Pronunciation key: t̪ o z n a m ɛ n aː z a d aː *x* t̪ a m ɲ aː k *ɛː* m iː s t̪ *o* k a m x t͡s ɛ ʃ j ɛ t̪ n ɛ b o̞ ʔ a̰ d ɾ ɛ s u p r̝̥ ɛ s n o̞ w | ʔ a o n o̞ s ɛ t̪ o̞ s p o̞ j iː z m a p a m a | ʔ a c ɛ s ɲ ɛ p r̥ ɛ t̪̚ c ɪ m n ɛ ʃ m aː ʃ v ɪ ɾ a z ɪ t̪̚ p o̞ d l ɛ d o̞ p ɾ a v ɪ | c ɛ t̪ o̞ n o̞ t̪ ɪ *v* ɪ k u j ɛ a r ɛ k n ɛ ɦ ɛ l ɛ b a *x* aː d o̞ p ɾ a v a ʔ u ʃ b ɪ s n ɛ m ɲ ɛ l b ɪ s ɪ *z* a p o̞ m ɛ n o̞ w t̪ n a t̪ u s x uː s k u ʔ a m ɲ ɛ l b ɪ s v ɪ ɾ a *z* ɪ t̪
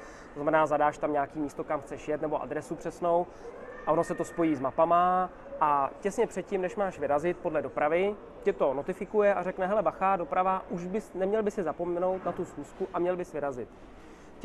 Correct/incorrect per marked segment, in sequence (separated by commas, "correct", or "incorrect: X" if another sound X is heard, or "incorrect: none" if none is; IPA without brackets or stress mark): incorrect: ʃ, incorrect: iː, correct, incorrect: f, correct, correct, correct